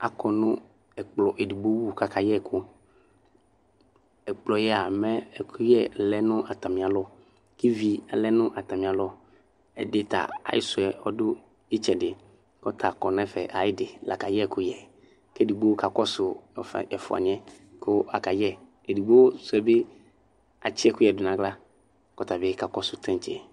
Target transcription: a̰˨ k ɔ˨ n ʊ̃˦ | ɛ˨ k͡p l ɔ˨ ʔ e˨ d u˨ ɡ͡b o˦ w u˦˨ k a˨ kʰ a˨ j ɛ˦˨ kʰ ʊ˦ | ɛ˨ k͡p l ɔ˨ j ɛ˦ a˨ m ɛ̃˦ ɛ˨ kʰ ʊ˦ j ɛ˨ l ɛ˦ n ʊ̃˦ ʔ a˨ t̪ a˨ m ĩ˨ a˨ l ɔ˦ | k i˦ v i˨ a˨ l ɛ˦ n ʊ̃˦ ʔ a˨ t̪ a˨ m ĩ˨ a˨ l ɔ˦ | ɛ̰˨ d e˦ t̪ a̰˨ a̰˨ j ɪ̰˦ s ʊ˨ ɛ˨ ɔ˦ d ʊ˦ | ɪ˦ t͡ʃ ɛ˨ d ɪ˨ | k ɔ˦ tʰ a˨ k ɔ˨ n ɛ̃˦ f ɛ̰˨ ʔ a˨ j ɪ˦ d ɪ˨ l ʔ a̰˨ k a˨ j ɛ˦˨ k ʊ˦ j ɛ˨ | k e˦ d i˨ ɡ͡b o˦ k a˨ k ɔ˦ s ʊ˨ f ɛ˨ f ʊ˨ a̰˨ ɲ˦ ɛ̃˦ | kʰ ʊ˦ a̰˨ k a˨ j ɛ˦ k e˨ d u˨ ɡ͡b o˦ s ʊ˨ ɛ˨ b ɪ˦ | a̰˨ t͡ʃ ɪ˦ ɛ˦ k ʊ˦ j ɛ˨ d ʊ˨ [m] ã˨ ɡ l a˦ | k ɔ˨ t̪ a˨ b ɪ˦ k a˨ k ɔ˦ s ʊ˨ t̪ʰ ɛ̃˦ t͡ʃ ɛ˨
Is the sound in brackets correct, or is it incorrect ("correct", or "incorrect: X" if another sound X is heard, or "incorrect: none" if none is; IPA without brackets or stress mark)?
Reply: incorrect: n